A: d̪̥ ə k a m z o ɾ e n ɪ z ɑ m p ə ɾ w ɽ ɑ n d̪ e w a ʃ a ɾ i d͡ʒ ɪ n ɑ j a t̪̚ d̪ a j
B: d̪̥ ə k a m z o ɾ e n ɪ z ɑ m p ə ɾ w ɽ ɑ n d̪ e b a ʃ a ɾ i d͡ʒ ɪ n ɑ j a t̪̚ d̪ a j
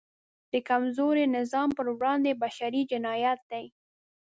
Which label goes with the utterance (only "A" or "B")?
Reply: B